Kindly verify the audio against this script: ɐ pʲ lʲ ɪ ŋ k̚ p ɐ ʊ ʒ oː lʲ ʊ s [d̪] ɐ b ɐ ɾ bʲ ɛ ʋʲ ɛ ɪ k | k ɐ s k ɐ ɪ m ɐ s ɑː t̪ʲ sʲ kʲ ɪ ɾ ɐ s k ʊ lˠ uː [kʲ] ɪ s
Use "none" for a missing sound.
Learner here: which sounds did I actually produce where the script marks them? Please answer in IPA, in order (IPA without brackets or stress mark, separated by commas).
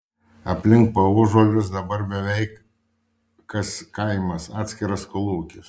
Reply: d̪, kʲ